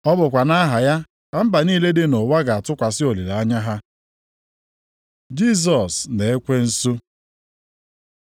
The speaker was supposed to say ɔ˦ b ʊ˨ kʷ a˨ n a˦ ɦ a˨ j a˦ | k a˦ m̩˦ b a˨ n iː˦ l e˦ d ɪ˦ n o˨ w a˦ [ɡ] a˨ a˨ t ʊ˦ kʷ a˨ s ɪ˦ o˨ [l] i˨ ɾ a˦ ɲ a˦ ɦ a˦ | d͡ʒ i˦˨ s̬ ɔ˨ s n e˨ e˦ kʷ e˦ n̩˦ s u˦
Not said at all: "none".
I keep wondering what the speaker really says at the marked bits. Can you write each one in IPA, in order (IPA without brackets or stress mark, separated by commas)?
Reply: ɡ, l